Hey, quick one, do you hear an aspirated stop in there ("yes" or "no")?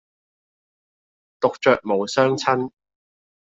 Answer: yes